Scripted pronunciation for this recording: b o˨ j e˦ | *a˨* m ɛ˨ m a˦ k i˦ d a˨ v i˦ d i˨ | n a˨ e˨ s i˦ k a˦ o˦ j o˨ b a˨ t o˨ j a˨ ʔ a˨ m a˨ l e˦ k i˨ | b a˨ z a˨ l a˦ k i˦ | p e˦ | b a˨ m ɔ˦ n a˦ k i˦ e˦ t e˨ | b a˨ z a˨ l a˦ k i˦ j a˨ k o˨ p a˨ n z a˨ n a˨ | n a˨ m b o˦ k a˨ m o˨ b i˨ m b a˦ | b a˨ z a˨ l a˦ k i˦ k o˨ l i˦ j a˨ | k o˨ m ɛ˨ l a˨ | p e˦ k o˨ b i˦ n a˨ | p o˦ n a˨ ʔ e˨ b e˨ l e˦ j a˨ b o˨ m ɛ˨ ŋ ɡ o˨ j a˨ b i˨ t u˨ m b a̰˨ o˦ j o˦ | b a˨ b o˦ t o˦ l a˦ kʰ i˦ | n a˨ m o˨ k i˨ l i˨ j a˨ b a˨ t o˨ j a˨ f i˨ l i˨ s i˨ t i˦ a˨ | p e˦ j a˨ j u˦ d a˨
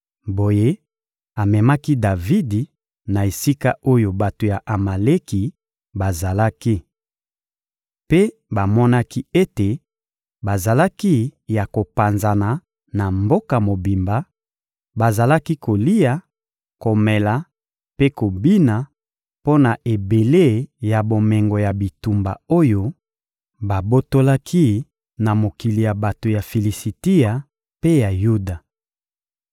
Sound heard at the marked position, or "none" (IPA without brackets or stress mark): a˨